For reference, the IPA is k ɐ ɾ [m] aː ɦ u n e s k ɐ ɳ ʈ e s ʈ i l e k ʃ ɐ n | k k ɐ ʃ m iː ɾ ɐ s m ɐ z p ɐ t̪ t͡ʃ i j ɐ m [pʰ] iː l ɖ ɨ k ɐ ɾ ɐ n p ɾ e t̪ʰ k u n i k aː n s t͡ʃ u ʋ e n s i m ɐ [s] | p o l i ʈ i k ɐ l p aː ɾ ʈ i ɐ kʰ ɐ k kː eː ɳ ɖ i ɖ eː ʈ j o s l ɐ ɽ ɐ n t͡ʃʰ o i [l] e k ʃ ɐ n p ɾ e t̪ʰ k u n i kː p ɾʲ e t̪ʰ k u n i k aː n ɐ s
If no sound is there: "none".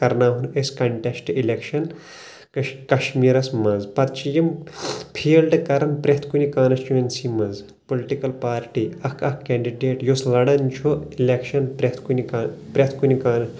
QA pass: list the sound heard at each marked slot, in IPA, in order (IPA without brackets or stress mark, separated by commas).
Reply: n, pʰ, z, l